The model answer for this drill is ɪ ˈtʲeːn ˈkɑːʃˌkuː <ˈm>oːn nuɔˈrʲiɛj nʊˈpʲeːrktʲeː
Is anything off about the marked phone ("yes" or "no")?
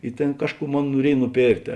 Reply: no